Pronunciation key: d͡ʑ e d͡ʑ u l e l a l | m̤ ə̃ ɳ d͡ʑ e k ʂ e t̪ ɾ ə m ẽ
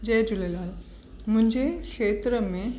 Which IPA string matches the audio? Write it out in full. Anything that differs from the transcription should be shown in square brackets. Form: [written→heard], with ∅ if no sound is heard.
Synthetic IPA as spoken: d͡ʑ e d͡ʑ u l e l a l | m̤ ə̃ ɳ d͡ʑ e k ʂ e t̪ ɾ ə m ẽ